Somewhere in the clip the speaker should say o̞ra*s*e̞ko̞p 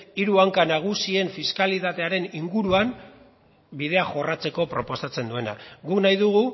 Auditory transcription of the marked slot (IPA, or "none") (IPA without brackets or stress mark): t͡s